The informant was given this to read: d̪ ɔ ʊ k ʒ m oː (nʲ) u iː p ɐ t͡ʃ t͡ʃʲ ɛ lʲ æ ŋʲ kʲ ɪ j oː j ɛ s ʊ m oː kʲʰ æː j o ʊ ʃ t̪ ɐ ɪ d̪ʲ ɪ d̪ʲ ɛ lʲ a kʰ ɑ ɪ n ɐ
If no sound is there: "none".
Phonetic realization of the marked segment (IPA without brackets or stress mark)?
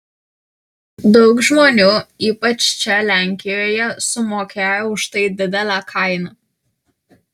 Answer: nʲ